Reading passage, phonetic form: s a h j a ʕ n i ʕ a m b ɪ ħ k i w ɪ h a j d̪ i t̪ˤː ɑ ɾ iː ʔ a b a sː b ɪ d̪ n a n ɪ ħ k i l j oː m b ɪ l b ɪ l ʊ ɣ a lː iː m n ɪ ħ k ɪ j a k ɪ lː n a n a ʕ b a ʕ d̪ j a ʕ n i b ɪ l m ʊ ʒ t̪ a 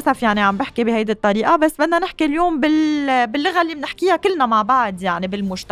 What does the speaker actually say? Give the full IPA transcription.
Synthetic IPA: s a f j a ʕ n i ʕ a m b ɪ ħ k i b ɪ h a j d̪ i t̪ˤː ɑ ɾ iː ʔ a b a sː b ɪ d̪ n a n ɪ ħ k i l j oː m b ɪ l b ɪ lː ʊ ɣ a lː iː m n ɪ ħ k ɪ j a k ɪ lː n a m a ʕ b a ʕ d̪ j a ʕ n i b ɪ l m ʊ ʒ t̪ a